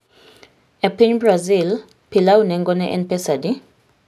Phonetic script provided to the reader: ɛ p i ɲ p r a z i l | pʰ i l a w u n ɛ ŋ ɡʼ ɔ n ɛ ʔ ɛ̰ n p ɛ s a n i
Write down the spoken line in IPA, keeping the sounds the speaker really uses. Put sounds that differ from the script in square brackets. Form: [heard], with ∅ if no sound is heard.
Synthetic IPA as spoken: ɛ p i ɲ [b] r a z i l | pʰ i l a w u n ɛ ŋ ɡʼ ɔ n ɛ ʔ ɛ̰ n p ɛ s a [d] i